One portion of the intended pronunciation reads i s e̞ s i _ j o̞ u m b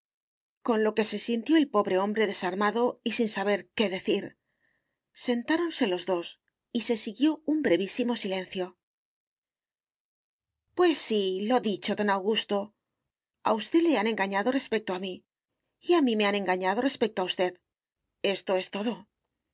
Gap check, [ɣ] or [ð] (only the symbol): ɣ